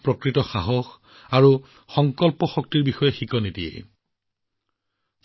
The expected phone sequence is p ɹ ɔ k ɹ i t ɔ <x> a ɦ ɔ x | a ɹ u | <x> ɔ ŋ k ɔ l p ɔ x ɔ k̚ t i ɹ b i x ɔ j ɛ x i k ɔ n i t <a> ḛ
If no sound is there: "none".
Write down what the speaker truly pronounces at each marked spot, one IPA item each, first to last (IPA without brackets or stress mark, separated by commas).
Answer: x, x, i